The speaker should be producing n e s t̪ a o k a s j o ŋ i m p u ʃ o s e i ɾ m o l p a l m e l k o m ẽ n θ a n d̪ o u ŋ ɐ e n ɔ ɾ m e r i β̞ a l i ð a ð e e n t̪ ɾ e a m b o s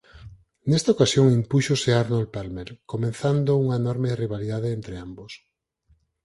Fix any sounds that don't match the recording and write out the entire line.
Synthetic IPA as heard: n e s t̪ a o k a s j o ŋ i m p u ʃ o s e a ɾ n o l p a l m e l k o m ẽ n θ a n d̪ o u ŋ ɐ e n ɔ ɾ m e r i β̞ a l i ð a ð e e n t̪ ɾ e a m b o s